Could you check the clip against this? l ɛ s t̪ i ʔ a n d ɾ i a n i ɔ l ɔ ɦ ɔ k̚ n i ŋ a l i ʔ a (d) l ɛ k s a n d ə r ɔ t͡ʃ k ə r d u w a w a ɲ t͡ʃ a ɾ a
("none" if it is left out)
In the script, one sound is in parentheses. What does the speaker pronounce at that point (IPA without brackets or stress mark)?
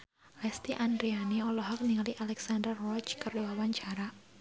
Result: none